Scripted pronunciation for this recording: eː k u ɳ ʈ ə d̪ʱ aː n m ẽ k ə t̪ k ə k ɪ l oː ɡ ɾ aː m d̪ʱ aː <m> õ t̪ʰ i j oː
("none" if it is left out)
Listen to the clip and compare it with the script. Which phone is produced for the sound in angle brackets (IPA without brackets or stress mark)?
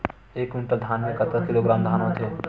n